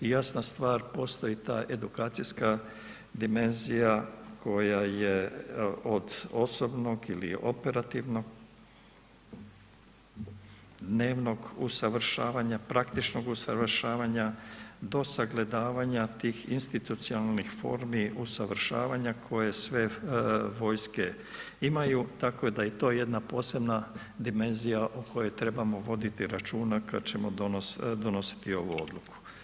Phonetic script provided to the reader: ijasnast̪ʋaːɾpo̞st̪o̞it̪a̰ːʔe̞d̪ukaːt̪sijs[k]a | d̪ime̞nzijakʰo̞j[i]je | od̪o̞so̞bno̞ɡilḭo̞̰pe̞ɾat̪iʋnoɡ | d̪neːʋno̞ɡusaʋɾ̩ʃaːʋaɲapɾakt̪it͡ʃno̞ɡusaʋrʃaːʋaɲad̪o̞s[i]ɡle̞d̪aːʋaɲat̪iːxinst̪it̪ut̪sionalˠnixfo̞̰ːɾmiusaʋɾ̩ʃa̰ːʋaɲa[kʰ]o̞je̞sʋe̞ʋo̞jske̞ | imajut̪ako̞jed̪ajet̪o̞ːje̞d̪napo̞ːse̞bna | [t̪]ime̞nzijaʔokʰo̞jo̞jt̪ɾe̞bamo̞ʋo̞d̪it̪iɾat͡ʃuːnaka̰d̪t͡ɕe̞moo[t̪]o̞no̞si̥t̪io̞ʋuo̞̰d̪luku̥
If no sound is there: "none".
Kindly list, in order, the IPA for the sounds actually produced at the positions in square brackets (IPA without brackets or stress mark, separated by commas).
k, a, a, kʰ, d̪, d̪